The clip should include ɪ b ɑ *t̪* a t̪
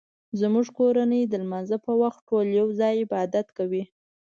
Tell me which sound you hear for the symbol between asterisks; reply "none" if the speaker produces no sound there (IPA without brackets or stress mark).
d̪